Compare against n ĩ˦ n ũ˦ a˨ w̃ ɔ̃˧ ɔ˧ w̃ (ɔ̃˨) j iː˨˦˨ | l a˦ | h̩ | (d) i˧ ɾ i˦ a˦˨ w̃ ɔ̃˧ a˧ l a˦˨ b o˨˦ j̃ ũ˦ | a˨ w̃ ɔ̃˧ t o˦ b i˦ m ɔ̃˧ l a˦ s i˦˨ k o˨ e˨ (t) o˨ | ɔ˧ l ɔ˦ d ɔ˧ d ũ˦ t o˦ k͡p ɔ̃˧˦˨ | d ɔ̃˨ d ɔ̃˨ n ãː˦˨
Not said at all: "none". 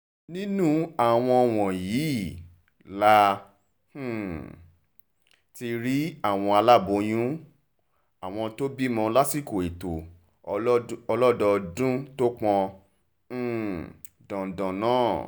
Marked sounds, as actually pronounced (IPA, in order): ɔ̃˨, t, t

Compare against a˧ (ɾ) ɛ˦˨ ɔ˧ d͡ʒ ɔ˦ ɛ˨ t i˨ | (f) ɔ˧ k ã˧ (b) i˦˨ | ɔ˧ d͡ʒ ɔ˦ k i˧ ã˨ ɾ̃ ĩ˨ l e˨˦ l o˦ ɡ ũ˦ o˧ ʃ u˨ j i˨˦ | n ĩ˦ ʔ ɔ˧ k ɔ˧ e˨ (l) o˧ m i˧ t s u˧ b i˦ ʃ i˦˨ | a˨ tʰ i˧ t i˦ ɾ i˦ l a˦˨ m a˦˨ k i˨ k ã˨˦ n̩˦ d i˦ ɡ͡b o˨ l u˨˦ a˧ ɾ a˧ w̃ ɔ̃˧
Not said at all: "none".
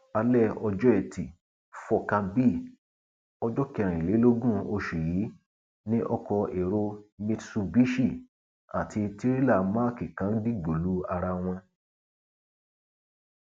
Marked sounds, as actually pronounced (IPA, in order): l, f, b, ɾ

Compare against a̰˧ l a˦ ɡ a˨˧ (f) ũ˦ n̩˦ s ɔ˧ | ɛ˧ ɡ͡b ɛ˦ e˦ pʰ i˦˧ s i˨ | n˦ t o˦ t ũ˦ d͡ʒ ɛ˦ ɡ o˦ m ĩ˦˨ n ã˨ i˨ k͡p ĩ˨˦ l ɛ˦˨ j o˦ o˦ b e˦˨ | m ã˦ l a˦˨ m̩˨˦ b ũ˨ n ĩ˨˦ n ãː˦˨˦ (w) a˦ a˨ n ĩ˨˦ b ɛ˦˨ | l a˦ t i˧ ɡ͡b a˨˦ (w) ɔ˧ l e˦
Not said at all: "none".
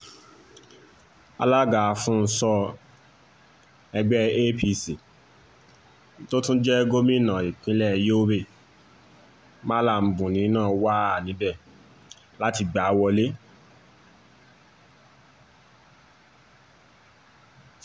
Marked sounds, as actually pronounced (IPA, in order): f, w, w

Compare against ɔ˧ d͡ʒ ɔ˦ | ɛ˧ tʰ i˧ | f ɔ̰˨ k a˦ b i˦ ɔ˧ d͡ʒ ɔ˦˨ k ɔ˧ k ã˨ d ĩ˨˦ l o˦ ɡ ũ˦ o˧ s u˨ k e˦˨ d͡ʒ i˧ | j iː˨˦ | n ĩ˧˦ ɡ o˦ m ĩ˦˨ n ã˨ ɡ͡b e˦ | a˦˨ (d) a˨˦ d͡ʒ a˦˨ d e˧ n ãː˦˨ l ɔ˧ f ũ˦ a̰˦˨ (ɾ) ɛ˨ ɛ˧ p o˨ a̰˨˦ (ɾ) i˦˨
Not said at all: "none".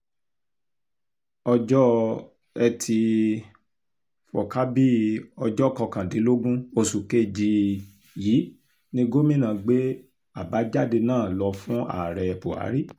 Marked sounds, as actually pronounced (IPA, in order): b, ɾ, ɾ

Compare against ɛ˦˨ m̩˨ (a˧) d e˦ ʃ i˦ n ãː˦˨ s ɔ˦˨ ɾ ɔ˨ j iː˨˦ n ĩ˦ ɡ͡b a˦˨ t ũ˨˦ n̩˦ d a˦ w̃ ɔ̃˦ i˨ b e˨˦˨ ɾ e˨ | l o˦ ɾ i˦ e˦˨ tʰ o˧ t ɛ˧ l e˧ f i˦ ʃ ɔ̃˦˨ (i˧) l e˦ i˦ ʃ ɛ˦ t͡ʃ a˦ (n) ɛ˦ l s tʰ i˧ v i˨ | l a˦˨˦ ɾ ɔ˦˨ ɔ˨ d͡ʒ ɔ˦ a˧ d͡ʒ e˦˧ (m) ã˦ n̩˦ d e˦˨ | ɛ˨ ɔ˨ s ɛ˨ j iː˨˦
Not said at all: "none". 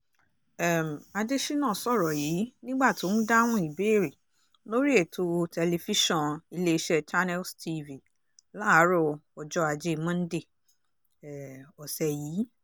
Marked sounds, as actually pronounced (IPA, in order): a˧, i˧, n, m

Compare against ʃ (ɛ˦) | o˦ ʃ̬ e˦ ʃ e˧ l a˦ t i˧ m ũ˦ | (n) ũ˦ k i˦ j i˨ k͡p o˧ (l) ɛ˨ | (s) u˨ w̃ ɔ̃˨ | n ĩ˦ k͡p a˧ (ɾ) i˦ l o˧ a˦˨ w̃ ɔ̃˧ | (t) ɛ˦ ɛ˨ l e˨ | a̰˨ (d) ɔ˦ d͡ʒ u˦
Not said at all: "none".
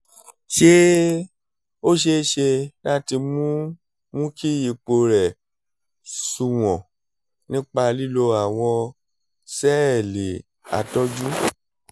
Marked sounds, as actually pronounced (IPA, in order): e˦, m, ɾ, s, l, s, t

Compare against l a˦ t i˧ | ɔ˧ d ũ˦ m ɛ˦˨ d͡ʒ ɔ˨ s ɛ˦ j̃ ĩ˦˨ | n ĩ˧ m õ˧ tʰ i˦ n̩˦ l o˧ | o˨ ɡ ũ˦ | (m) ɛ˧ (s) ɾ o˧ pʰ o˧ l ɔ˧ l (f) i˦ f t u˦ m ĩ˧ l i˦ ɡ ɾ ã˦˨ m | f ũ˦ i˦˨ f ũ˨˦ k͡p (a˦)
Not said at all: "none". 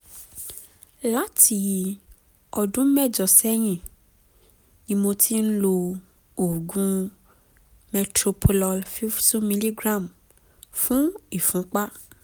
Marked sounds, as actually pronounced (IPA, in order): m, t, f, a˦

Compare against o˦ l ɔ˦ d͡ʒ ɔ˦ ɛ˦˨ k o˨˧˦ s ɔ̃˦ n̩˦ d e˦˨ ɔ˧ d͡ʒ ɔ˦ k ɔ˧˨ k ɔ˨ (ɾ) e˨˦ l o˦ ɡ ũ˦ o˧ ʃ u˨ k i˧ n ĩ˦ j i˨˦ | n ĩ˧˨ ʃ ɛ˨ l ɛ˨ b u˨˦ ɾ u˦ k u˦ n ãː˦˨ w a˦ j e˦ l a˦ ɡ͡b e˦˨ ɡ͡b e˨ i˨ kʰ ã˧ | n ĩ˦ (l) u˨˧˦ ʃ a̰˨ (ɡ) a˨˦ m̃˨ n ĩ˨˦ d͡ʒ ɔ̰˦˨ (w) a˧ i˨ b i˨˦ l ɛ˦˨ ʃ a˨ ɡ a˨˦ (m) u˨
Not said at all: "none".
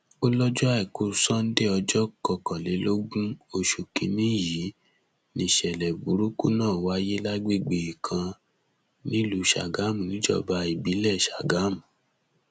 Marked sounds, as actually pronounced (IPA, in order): l, l, ɡ, b, m

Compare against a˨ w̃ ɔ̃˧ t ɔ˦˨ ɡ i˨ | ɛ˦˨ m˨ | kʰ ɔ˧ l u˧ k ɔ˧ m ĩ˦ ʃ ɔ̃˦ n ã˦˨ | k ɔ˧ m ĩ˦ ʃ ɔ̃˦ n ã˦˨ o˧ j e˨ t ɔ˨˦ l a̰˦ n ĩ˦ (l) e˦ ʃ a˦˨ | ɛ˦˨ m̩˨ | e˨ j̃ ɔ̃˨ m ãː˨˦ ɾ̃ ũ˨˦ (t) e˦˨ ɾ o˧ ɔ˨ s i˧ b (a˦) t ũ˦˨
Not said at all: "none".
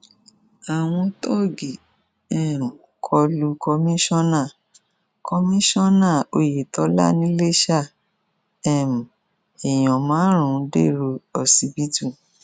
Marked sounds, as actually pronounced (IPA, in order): l, d, i˦

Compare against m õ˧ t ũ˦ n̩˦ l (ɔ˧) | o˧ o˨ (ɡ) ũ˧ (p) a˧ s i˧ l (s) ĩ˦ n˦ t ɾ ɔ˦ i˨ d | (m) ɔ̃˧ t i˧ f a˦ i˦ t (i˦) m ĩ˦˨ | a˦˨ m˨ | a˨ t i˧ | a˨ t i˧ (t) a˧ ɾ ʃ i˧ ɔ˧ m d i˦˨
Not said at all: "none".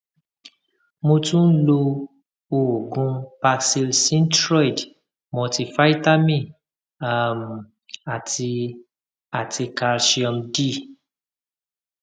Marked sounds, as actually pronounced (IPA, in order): o˧, ɡ, p, s, m, a˦, k

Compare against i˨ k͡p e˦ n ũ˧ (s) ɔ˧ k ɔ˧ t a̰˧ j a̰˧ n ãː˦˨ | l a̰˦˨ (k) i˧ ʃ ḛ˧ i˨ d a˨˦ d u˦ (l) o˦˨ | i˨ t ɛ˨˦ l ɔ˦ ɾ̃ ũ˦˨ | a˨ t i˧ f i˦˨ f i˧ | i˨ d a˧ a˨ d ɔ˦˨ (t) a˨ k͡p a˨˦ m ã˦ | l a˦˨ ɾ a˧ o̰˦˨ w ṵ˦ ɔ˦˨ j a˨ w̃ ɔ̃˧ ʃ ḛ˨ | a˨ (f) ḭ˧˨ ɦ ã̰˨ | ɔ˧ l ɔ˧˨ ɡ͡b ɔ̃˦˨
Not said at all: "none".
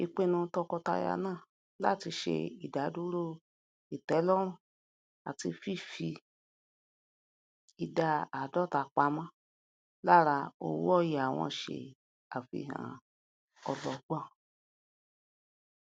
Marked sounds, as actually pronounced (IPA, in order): t, t, ɾ, t, f

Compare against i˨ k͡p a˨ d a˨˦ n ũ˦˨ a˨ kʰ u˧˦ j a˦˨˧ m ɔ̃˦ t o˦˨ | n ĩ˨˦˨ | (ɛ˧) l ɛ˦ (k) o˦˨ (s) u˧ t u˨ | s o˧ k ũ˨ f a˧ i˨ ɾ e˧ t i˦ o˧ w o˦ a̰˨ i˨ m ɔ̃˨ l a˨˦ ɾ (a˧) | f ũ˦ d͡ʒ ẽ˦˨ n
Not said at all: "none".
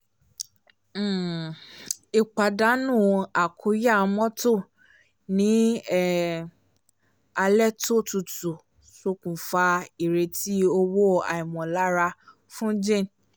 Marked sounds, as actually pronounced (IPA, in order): a˧, t, t, a˧

